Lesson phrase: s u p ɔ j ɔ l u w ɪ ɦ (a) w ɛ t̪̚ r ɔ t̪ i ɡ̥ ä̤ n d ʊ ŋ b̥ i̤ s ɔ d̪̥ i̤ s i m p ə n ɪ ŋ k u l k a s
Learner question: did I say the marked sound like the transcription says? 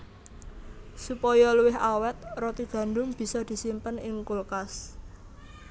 yes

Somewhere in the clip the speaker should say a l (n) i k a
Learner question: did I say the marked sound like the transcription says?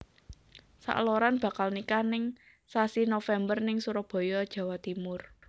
yes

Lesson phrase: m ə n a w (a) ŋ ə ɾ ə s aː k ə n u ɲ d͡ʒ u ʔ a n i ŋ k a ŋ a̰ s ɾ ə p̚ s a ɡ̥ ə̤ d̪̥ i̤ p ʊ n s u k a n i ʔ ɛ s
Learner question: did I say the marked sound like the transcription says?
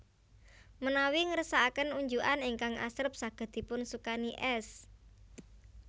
no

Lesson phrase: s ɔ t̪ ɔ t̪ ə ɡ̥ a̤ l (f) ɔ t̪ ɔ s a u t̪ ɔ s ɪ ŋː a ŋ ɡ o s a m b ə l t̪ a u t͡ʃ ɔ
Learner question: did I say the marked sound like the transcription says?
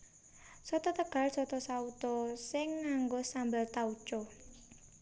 no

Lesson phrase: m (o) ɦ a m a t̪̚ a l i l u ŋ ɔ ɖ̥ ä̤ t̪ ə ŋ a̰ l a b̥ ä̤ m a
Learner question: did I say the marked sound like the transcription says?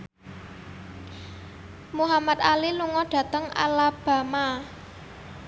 no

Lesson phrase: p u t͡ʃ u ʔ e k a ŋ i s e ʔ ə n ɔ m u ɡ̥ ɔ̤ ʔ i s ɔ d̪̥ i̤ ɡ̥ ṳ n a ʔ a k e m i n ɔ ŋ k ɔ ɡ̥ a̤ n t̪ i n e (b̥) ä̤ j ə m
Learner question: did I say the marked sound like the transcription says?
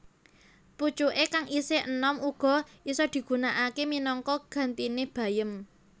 yes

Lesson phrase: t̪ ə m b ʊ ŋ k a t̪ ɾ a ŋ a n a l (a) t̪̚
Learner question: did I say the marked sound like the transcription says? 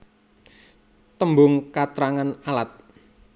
yes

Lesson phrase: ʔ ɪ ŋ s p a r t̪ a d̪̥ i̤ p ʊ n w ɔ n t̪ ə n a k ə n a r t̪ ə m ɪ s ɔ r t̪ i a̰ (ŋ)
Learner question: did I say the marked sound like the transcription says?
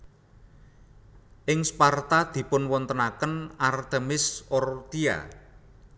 no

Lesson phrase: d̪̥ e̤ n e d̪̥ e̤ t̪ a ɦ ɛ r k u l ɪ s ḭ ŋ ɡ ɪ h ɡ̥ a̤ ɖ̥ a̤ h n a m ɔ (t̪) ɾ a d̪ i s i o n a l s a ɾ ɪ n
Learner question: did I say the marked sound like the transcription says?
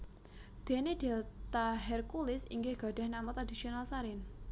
yes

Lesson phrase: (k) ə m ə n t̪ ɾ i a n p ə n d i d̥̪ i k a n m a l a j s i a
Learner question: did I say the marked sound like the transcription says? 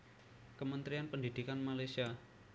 yes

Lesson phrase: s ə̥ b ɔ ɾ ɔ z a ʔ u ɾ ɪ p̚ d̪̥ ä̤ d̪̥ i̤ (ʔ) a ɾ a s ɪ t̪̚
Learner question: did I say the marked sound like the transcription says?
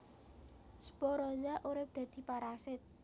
no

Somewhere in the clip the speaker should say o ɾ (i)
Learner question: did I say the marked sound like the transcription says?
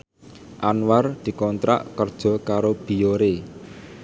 no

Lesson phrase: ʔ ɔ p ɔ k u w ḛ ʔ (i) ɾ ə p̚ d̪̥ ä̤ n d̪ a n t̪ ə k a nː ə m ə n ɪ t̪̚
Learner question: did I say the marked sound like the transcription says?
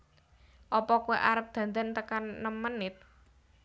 no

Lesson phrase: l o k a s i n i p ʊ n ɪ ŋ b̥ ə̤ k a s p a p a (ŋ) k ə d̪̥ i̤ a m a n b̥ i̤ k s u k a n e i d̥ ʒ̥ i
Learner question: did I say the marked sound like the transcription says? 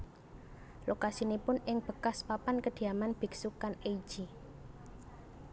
no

